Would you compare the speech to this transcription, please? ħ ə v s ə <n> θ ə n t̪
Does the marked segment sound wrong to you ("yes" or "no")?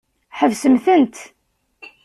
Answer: yes